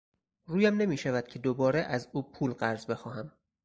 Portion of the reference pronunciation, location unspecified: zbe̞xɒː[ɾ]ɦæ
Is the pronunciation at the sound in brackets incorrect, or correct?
incorrect